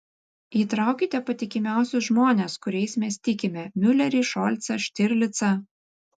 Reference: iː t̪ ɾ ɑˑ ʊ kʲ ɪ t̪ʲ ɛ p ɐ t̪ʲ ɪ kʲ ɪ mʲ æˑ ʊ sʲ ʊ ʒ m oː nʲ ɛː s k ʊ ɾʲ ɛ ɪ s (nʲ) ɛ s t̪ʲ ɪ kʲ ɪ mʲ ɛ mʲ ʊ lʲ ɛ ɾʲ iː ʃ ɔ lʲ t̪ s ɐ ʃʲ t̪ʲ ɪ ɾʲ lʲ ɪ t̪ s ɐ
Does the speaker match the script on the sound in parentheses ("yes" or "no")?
no